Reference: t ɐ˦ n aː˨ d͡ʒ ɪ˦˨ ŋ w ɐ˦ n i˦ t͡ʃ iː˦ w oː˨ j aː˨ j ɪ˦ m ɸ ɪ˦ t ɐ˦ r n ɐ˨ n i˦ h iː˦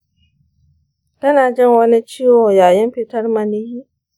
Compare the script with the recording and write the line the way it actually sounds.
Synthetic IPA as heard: t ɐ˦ n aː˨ d͡ʒ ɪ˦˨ ŋ w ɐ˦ n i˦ t͡ʃ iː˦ w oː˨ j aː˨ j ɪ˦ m ɸ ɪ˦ t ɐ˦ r m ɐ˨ n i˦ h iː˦